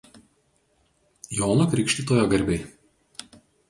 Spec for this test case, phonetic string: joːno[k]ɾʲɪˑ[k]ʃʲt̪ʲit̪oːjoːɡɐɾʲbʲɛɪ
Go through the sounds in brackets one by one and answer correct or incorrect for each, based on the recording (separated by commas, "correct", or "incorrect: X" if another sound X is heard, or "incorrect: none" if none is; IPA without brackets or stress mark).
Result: correct, correct